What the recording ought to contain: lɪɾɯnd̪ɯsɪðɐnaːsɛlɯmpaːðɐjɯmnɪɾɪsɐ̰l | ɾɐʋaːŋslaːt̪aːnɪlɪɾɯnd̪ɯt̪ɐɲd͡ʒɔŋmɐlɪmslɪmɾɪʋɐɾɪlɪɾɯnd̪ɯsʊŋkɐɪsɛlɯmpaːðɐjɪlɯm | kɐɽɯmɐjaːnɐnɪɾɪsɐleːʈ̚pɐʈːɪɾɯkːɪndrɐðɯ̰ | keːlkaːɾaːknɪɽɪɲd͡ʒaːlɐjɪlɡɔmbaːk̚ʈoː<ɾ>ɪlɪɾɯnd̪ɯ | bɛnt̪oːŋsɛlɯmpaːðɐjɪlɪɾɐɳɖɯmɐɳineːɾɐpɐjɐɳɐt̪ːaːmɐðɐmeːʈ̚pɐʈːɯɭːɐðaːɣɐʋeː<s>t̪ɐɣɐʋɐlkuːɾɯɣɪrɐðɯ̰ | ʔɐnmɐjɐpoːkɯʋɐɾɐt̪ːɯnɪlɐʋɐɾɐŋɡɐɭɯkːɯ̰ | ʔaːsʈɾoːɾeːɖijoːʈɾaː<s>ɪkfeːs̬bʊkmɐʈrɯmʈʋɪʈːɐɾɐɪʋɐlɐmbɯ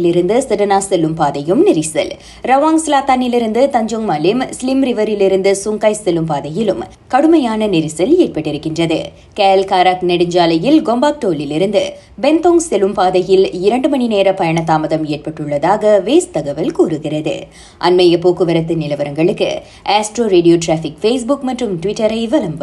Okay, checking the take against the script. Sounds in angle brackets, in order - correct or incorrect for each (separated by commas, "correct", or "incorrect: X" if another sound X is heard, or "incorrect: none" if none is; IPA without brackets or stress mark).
incorrect: l, correct, incorrect: f